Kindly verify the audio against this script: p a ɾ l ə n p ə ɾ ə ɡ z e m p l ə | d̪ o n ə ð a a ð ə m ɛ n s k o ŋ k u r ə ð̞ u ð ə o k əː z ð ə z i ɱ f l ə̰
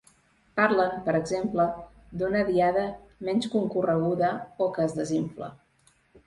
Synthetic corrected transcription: p a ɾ l ə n p ə ɾ ə ɡ z e m p l ə | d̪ u n ə ð i a ð ə m ɛ n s k u ŋ k u r ə ɣ̞ u ð ə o k əː z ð ə z i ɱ f l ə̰

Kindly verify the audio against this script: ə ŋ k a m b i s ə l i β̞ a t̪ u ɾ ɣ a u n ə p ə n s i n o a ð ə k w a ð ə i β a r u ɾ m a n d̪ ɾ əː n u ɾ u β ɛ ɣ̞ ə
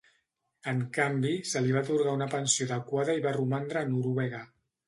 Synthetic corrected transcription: ə ŋ k a m b i s ə l i β̞ a t̪ u ɾ ɣ a u n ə p ə n s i o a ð ə k w a ð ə i β a r u m a n d̪ ɾ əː n u ɾ u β ɛ ɣ̞ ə

